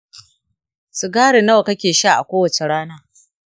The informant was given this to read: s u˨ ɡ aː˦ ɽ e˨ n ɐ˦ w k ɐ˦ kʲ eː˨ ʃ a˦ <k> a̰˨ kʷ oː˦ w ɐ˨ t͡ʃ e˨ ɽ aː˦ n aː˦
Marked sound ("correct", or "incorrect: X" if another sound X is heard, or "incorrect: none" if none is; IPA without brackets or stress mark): incorrect: ʔ